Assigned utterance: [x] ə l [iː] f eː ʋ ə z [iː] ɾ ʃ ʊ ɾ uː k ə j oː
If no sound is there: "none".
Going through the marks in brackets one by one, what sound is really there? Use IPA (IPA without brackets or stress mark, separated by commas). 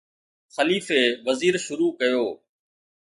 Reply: x, iː, iː